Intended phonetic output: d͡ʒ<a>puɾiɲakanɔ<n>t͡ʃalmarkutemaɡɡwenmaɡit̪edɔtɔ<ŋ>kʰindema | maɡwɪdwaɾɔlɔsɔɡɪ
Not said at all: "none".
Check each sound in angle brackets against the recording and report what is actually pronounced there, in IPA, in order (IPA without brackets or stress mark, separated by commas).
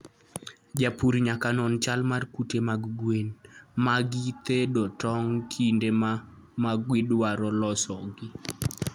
a, n, ŋ